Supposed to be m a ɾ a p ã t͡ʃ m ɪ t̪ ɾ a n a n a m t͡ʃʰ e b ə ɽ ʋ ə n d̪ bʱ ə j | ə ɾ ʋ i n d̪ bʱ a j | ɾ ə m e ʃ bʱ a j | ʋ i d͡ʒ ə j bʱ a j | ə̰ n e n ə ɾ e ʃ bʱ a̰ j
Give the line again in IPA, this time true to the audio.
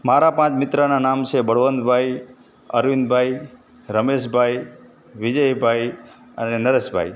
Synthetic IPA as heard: m a ɾ a p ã t͡ʃ m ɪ t̪ ɾ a n a n a m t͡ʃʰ e b ə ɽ ʋ ə n d̪ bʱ a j | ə ɾ ʋ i n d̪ bʱ a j | ɾ ə m e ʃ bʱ a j | ʋ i d͡ʒ ə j bʱ a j | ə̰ n e n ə ɾ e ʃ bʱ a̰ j